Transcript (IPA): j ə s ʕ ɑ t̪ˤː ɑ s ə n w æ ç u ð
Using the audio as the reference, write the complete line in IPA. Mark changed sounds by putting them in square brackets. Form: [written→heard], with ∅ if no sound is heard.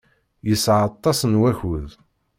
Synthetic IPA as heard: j ə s ʕ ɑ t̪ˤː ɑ s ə n w æ ç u ð

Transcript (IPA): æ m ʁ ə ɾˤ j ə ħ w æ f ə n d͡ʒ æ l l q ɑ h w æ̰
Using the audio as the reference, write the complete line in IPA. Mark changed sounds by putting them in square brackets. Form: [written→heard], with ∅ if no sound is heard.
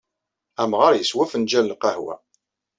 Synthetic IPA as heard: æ m ʁ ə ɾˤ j ə [ħ→s] w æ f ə n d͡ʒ æ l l q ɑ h w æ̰

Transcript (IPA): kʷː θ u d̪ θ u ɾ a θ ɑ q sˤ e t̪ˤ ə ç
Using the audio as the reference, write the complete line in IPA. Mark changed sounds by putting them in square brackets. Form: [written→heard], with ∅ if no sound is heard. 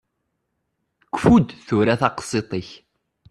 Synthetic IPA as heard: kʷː [θ→f] u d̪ θ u ɾ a θ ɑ q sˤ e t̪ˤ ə ç

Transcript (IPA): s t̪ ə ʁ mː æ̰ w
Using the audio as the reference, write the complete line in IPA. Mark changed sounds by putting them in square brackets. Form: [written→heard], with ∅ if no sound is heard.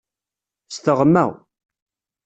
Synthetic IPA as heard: s t̪ ə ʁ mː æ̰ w

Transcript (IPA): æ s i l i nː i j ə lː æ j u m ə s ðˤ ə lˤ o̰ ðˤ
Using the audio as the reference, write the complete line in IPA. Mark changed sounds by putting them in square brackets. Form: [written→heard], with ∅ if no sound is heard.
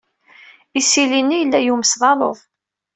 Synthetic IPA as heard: [æ→i] s i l i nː i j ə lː æ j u m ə s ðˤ [ə→ɑ] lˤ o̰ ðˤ

